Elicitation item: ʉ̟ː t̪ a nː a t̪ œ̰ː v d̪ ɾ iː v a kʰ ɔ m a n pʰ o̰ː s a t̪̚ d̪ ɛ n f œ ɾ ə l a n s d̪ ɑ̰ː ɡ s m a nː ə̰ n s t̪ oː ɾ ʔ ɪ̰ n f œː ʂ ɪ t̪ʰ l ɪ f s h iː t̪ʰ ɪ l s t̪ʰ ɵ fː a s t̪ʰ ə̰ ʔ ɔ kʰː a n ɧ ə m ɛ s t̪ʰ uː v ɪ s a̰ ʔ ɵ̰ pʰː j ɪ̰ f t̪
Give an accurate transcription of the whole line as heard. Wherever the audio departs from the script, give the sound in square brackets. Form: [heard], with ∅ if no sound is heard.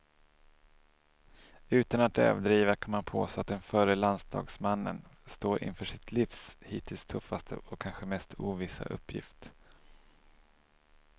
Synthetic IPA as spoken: ʉ̟ː t̪ a [n] a t̪ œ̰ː v d̪ ɾ iː v a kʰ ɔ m a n pʰ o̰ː s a t̪̚ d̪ ɛ n f œ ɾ ə l a n s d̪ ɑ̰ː ɡ s m a nː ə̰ n s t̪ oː ɾ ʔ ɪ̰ n f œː ʂ ɪ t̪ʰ l ɪ f s h iː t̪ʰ ɪ l s t̪ʰ ɵ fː a s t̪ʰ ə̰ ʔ ɔ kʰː a n ɧ ə m ɛ s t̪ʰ uː v ɪ s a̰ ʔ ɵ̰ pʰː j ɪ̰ f t̪